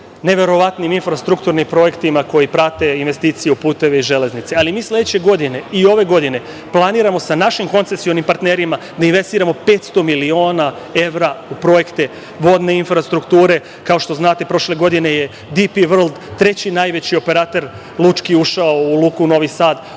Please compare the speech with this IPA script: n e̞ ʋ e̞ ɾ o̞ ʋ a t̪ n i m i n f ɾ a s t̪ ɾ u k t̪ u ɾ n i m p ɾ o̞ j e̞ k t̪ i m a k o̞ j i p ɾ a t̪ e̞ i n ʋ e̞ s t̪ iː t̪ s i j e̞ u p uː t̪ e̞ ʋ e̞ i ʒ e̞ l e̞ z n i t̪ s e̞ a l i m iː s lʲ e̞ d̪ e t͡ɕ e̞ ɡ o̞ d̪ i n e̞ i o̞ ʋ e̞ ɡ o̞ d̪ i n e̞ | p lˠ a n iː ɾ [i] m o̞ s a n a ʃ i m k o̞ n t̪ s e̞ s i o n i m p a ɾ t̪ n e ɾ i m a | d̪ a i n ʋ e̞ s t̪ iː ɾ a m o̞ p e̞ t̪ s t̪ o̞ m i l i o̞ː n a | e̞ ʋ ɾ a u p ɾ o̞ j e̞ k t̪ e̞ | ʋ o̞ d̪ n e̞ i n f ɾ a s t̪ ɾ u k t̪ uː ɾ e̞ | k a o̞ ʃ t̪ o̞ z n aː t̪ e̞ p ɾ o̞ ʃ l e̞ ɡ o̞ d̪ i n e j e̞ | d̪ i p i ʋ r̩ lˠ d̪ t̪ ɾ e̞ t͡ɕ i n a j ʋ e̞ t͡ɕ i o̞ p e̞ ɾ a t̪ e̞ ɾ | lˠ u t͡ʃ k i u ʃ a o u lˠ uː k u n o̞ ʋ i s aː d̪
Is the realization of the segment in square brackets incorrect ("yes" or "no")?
yes